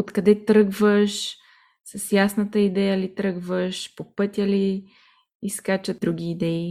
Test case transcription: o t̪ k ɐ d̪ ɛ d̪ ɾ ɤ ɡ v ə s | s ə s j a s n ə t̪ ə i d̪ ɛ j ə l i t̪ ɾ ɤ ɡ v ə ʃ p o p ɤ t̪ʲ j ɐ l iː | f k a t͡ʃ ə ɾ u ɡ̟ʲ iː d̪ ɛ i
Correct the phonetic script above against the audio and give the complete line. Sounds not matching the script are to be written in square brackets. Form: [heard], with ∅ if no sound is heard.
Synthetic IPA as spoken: o t̪ k ɐ d̪ ɛ [t̪] ɾ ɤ ɡ v ə [ʃ] | s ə s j a s n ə t̪ ə i d̪ ɛ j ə l i t̪ ɾ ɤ ɡ v ə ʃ p o p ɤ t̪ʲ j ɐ l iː | [s] k a t͡ʃ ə ɾ u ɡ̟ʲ iː d̪ ɛ i